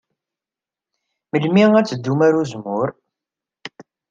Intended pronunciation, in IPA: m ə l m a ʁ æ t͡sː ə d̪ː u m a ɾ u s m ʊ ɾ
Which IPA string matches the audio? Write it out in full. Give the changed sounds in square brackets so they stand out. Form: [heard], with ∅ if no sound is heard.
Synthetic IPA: m ə l m [i] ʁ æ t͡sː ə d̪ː u m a ɾ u [z] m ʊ ɾ